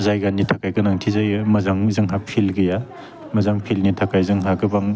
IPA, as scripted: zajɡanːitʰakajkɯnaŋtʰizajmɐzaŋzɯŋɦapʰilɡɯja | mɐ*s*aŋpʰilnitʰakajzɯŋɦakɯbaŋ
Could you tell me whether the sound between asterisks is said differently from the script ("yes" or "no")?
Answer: yes